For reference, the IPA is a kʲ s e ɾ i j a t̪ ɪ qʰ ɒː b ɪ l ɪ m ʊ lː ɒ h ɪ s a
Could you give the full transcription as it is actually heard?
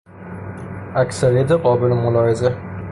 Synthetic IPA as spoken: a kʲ s a ɾ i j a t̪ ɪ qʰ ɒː b ɪ l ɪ m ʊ l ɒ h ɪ z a